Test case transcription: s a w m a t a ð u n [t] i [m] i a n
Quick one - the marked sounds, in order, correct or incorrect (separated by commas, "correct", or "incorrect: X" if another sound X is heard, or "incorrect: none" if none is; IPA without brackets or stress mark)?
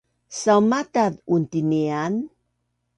correct, incorrect: n